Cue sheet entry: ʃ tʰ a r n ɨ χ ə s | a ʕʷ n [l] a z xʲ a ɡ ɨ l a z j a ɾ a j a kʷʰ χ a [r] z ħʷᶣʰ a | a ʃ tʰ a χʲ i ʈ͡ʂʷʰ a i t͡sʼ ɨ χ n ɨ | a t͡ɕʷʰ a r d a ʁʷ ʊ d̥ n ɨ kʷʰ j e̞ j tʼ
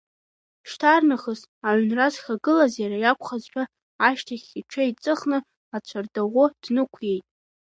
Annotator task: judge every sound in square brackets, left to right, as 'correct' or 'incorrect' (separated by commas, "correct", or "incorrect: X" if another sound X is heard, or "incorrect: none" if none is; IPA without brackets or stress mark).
incorrect: r, incorrect: none